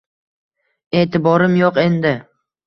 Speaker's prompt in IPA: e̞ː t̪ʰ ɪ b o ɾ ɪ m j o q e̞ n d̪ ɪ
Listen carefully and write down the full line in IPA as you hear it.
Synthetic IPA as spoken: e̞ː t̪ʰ ɪ b ɒ ɾ ɪ m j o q e̞ n d̪ ɪ